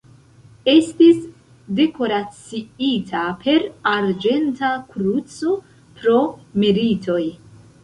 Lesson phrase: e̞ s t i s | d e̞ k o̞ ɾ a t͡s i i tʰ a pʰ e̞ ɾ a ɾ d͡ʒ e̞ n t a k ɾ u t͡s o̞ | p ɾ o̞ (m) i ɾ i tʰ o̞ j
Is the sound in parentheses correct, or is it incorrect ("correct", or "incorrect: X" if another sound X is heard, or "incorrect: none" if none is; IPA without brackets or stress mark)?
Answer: correct